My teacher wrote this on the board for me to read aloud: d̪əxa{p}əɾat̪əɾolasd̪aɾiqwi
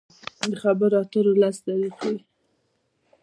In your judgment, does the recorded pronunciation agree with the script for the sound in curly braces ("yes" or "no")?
no